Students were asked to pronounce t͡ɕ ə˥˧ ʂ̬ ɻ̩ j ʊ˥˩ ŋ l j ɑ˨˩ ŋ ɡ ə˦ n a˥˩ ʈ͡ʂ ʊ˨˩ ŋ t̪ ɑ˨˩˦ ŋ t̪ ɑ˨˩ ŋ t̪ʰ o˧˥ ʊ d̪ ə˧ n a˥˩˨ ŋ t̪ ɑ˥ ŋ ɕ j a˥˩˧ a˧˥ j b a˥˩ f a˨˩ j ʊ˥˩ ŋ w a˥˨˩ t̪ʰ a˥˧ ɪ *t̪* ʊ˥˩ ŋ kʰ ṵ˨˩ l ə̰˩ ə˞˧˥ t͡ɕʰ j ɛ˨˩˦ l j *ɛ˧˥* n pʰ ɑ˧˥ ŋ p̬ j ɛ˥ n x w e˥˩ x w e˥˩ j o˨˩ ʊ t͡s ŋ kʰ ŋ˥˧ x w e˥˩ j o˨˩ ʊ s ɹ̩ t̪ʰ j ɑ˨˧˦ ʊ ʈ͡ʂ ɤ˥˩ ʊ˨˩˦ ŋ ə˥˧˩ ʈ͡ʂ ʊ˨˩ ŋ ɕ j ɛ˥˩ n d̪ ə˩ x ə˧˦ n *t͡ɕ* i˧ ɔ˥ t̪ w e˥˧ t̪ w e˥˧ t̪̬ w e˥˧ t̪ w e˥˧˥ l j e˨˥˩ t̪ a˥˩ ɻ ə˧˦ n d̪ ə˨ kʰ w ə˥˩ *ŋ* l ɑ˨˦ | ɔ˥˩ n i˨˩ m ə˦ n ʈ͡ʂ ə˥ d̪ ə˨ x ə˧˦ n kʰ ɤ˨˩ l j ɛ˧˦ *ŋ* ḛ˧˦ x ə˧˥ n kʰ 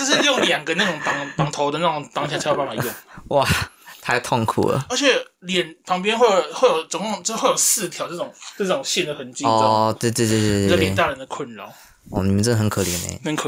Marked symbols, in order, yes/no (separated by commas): no, no, yes, no, no